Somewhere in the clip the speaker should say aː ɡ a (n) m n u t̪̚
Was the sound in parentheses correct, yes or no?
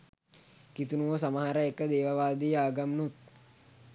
no